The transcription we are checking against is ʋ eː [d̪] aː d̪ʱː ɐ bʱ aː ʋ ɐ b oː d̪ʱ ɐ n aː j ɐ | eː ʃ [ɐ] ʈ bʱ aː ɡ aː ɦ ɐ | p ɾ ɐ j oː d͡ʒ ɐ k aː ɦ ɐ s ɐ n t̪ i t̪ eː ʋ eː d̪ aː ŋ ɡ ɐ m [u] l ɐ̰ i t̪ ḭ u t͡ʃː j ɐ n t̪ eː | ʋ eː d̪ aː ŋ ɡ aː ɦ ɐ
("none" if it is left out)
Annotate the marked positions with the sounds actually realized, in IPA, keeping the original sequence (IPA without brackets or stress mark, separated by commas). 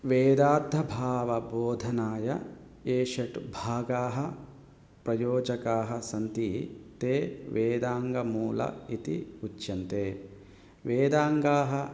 d̪, ɐ, uː